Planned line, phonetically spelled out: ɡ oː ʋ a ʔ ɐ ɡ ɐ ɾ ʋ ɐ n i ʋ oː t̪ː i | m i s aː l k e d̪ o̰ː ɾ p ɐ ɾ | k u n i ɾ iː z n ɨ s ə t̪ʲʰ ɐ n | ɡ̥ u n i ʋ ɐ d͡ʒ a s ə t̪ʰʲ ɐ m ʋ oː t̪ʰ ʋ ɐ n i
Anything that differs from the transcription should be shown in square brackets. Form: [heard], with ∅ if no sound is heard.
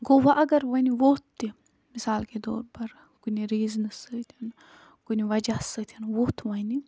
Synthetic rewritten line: ɡ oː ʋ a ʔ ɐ ɡ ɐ ɾ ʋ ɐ n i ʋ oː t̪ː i | m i s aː l k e d̪ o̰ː ɾ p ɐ ɾ | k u n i ɾ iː z n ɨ s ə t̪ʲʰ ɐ n | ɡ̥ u n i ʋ ɐ d͡ʒ a s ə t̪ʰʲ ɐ [n] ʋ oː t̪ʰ ʋ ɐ n i